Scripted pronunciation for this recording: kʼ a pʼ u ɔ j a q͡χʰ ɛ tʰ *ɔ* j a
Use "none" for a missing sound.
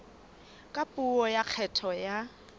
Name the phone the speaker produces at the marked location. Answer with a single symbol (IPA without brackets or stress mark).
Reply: ɔ